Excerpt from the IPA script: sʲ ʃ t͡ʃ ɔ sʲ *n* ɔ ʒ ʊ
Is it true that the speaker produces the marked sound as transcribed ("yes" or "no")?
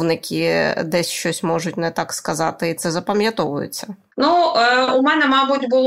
no